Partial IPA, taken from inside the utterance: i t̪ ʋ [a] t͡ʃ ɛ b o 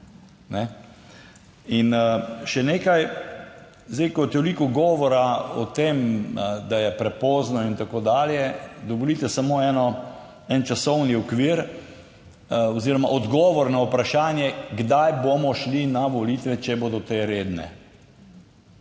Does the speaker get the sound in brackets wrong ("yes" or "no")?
yes